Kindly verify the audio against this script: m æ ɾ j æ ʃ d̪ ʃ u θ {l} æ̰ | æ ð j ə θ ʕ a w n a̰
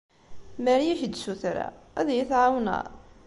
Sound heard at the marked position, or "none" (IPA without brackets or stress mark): ɾ